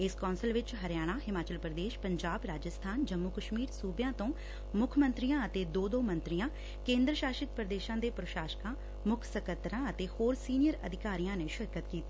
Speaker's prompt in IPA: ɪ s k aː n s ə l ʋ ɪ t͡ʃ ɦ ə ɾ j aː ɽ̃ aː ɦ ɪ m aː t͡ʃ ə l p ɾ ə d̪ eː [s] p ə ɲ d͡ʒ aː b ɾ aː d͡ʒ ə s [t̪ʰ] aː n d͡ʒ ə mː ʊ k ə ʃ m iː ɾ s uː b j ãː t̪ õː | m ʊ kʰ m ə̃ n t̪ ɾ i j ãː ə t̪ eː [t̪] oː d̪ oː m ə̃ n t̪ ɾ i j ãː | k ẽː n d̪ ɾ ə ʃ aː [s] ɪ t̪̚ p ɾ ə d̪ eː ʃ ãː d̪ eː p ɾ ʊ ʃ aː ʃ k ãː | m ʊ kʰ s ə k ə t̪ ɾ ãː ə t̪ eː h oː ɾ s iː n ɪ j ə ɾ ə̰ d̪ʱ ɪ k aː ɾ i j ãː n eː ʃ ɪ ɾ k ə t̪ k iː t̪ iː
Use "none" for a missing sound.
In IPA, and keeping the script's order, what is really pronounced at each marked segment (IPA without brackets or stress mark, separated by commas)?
ʃ, t̪ʰ, d̪, ʃ